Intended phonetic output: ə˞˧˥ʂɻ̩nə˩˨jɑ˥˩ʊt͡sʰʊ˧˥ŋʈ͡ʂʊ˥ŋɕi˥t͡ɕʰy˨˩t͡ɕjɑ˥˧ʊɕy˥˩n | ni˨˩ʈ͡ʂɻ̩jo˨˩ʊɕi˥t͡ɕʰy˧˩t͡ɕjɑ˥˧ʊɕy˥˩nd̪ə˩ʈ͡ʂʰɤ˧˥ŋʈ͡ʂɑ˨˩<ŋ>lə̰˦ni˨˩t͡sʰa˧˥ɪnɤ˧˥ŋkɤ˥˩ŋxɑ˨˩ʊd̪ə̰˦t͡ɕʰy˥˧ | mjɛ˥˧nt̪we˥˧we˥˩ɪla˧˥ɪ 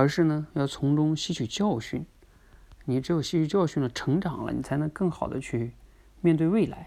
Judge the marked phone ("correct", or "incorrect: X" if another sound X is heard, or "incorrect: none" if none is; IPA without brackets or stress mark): correct